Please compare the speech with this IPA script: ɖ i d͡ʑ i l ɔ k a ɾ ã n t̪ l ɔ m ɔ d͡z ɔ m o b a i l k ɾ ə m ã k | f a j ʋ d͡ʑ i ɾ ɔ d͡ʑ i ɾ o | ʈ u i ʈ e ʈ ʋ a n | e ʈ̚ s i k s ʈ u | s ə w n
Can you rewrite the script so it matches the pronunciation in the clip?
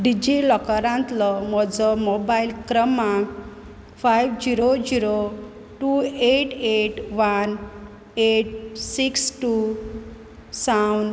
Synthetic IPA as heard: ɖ i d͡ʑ i l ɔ k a ɾ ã n t̪ l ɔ m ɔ d͡z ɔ m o b a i l k ɾ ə m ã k | f a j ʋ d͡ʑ i ɾ o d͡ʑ i ɾ o | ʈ u e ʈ e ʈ ʋ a n | e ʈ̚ s i k s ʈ u | s a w n